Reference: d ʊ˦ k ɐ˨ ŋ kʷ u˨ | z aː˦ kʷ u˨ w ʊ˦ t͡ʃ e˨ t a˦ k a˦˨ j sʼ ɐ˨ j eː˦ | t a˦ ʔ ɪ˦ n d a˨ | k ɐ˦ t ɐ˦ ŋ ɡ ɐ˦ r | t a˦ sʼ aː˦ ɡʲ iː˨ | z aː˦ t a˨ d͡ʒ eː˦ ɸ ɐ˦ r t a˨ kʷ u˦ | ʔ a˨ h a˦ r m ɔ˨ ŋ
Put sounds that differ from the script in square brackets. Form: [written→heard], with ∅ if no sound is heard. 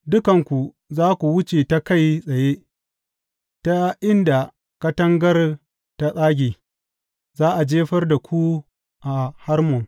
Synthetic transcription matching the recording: d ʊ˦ k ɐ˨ ŋ kʷ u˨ | z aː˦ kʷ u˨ w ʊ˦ t͡ʃ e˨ t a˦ k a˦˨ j sʼ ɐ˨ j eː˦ | t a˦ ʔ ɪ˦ n d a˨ | k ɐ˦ t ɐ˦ ŋ ɡ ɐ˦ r | t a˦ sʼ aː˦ ɡʲ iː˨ | z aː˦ [t→ʔ] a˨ d͡ʒ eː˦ ɸ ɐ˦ r [t→d] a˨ kʷ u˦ | ʔ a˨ h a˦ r m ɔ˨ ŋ